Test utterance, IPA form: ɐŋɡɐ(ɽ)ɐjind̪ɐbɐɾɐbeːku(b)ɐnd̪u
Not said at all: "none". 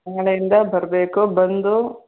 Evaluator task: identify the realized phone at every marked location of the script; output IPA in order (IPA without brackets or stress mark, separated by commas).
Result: ɭ, b